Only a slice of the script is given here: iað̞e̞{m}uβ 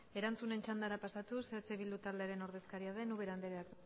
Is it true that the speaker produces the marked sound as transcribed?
no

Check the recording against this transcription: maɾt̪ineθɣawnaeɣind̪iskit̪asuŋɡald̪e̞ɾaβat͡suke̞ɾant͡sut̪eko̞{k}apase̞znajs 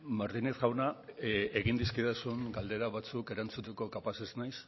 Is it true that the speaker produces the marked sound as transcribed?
yes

